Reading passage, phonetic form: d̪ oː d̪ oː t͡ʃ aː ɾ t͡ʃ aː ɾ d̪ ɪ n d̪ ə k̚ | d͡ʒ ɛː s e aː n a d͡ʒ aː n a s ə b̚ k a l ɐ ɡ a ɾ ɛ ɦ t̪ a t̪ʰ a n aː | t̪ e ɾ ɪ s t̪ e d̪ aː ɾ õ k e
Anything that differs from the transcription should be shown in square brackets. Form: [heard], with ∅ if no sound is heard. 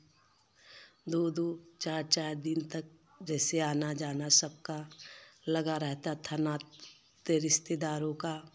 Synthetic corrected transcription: d̪ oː d̪ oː t͡ʃ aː ɾ t͡ʃ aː ɾ d̪ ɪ n [t̪] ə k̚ | d͡ʒ ɛː s e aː n a d͡ʒ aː n a s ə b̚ k a l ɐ ɡ a ɾ ɛ ɦ t̪ a t̪ʰ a n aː | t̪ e ɾ ɪ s t̪ e d̪ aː ɾ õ k [a]